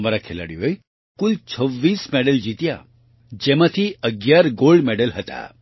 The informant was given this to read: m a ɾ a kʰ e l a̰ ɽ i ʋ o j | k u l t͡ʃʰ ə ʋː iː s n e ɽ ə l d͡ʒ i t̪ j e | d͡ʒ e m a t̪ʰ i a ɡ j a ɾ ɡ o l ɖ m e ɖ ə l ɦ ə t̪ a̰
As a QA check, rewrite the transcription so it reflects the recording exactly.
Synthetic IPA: m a ɾ a kʰ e l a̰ ɽ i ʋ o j | k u l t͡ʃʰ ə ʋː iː s m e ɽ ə l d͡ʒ i t̪ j a | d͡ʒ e m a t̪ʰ i ə ɡ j a ɾ ɡ o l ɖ m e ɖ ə l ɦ ə t̪ a̰